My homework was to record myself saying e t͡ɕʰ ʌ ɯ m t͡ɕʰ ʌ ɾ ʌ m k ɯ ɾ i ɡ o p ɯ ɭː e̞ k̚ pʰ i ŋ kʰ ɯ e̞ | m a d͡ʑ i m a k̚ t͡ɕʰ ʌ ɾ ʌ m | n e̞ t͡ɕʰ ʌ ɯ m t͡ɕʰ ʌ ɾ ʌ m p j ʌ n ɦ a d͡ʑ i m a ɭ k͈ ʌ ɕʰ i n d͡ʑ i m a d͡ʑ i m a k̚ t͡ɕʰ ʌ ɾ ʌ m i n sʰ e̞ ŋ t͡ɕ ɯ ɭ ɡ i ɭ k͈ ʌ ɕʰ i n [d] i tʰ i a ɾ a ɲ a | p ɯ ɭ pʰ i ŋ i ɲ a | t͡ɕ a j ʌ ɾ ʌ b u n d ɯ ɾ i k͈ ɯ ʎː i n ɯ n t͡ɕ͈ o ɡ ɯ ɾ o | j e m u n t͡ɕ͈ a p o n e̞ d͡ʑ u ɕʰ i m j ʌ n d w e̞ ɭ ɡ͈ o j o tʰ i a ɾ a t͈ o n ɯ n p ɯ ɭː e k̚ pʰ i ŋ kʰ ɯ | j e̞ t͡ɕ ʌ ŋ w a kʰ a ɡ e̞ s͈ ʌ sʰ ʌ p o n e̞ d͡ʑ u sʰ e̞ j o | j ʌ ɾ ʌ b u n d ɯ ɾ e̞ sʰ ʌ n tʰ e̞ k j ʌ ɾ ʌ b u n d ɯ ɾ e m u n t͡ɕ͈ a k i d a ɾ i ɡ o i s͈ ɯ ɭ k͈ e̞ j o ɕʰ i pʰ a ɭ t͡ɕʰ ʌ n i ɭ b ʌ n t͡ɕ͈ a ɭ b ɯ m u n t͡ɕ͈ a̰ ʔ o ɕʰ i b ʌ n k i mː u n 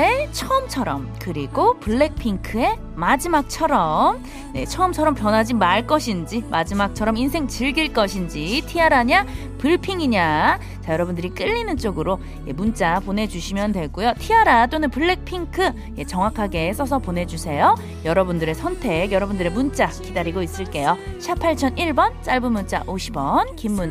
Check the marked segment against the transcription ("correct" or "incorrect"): incorrect